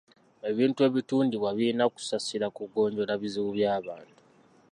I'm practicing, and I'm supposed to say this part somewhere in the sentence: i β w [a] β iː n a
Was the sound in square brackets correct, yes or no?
yes